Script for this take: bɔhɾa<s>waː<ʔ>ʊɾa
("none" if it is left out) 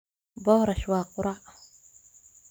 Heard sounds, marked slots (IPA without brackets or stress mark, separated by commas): ʃ, q